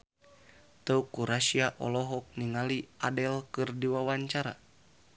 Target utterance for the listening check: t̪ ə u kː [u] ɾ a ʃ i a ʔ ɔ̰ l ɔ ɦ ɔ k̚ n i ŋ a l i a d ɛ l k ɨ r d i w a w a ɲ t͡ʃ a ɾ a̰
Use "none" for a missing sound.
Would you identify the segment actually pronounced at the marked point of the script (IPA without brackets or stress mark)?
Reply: u